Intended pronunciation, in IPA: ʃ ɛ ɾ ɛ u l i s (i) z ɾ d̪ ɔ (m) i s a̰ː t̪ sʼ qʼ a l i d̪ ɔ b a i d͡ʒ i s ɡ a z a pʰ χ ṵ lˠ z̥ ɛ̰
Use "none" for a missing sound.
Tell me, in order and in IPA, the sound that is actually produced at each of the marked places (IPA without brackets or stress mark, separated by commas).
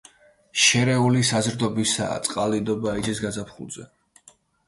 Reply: a, b